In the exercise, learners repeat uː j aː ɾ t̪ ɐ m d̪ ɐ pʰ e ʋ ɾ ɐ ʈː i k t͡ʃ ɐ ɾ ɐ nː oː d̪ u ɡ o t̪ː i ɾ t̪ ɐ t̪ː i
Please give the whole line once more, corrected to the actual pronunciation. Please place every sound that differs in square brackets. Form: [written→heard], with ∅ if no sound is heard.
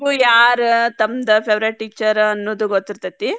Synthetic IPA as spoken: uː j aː ɾ t̪ ɐ m d̪ ɐ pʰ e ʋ ɾ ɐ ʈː i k t͡ʃ ɐ ɾ ɐ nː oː d̪ u ɡ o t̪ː i ɾ t̪ ɐ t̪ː i